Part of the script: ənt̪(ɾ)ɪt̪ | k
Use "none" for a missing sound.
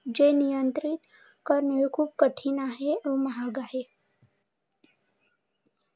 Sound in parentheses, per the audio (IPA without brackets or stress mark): ɾ